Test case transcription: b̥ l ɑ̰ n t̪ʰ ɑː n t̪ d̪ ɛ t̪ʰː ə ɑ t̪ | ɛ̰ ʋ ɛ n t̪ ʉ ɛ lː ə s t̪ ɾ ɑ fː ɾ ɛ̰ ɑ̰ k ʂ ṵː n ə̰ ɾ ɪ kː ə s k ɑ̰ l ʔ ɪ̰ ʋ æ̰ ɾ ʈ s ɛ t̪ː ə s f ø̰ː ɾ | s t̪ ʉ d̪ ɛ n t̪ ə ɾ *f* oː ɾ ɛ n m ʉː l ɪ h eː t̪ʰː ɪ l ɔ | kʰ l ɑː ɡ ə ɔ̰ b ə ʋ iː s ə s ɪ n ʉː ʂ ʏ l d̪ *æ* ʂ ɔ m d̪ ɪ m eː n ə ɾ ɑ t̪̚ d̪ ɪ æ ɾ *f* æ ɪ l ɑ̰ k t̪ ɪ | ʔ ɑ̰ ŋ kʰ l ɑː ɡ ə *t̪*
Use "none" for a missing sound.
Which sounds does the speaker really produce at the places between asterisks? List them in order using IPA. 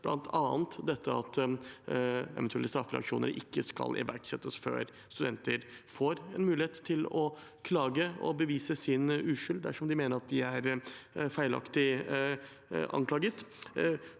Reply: f, æ, f, t̪

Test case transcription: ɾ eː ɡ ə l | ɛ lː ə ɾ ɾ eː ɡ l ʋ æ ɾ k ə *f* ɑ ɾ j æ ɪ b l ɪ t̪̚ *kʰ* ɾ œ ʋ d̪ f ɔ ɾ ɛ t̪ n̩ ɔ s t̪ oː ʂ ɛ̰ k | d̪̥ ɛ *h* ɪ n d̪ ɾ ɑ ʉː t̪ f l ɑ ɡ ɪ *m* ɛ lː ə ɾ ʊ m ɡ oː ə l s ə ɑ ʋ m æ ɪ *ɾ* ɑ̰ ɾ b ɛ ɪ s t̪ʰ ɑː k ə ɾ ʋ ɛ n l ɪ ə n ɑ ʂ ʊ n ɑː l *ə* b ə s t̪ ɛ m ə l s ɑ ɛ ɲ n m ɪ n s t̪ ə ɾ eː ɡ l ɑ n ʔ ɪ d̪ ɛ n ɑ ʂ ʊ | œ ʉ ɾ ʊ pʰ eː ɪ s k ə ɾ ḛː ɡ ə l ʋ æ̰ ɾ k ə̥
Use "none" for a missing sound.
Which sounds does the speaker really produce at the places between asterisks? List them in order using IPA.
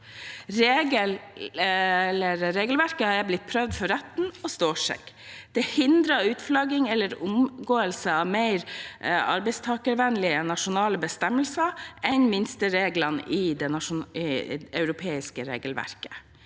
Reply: h, pʰ, h, ŋ, ɾ, ə

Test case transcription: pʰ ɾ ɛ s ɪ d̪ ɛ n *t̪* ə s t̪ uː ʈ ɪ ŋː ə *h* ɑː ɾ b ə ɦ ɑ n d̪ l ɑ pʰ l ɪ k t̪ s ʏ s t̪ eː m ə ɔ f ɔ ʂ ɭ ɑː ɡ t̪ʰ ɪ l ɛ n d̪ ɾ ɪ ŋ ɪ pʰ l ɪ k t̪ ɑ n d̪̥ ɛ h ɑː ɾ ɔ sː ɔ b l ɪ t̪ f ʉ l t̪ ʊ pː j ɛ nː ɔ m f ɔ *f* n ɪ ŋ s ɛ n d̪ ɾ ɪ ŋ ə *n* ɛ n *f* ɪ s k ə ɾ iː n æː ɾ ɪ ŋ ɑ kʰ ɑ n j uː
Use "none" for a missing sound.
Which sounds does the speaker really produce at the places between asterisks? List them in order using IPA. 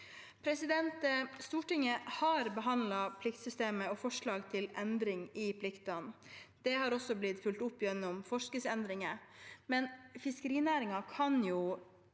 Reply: t̪, h, ʂ, m, f

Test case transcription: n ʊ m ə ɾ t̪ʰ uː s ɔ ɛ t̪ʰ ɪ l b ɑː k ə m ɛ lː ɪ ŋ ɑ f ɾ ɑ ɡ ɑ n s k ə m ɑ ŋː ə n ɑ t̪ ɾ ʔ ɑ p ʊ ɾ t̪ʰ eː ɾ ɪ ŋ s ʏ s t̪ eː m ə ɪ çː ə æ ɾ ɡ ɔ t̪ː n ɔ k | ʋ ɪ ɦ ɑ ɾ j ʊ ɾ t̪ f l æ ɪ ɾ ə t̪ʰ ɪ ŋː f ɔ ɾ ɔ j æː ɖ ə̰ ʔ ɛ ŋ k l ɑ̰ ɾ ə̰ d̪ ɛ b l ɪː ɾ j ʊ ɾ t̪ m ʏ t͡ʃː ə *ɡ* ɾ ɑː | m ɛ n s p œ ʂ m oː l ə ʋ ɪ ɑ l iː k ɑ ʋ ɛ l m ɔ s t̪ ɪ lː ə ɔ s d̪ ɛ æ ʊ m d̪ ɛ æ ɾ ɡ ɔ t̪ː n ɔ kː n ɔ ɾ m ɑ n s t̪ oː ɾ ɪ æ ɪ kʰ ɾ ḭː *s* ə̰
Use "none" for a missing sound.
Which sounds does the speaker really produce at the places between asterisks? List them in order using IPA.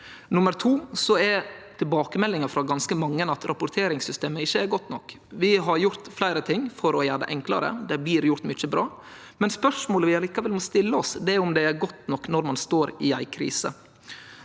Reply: b, s

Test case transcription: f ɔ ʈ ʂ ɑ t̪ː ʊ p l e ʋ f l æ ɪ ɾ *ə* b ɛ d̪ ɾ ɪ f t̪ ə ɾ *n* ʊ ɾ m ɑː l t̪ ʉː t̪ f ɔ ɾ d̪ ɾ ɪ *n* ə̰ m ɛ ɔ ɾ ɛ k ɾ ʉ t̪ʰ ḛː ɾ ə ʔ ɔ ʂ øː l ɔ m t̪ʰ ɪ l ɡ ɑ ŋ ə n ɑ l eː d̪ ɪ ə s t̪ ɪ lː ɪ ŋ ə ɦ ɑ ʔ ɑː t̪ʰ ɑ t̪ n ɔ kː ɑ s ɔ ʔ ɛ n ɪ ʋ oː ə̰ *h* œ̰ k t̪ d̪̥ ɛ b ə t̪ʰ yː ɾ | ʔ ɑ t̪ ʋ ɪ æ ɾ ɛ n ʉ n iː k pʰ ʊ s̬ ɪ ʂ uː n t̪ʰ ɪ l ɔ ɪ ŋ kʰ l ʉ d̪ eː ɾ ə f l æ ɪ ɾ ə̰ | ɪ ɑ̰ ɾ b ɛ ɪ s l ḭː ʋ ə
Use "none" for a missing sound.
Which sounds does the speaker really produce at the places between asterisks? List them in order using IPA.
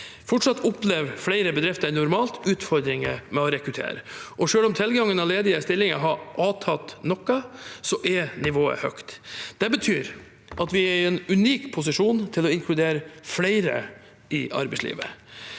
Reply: ə, n, ŋ, h

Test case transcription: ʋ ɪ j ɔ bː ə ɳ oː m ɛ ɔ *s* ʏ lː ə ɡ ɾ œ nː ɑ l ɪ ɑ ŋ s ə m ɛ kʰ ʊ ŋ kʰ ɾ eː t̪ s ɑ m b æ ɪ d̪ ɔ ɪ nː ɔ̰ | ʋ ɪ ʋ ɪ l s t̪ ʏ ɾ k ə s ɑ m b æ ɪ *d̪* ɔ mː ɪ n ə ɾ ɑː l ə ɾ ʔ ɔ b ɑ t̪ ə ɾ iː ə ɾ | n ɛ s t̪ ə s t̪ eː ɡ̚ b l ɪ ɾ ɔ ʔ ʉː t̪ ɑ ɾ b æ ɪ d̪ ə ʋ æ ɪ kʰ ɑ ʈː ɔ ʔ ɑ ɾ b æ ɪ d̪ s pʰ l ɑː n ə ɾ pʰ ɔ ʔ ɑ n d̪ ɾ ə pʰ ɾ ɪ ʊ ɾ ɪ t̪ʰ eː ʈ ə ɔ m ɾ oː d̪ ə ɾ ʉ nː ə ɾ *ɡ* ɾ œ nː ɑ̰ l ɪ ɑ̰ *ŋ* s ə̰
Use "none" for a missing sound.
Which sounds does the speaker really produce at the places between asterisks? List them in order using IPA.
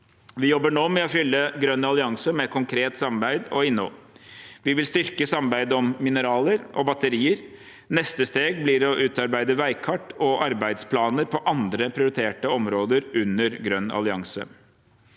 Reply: f, d̪, ɡ, ŋ

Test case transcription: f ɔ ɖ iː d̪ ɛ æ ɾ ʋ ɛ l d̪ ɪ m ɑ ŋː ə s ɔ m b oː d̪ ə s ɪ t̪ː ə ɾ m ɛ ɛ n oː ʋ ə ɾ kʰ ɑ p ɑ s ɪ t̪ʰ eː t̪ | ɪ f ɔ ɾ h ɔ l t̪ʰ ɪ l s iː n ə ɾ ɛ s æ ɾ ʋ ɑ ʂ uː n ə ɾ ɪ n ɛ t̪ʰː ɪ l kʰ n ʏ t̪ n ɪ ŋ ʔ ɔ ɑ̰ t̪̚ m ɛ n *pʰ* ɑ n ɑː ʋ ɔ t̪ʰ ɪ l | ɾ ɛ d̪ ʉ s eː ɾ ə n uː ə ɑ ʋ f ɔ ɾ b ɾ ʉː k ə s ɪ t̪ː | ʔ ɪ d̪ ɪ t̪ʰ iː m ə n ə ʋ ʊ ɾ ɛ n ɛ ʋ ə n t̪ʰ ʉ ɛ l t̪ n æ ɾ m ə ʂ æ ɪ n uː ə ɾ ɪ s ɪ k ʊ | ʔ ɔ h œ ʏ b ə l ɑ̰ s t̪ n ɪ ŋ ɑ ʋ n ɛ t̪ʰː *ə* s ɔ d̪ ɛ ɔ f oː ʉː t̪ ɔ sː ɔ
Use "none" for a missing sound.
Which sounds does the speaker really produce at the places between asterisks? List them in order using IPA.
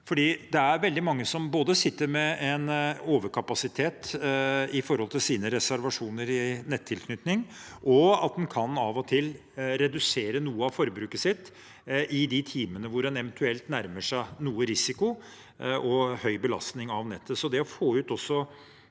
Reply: kʰ, ə

